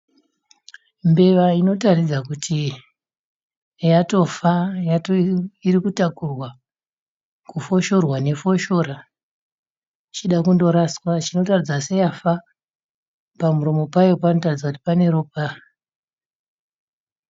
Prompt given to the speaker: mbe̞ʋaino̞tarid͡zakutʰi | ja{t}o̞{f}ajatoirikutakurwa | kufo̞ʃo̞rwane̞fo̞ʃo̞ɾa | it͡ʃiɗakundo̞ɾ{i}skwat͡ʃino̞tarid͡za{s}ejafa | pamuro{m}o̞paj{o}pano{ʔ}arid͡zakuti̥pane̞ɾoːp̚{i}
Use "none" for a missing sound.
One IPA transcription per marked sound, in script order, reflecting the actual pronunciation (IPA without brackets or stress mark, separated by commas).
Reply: t, f, a, s, m, o, t, a